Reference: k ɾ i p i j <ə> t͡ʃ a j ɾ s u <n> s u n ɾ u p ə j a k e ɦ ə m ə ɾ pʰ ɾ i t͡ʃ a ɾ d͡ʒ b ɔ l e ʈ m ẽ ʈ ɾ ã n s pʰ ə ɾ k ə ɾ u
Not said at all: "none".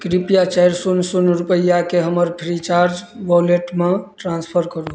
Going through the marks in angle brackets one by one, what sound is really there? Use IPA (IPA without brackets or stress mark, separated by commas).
a, n